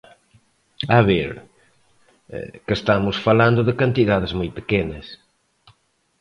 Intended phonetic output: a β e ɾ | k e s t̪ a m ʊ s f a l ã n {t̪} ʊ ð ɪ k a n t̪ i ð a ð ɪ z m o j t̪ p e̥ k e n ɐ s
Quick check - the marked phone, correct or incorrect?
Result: incorrect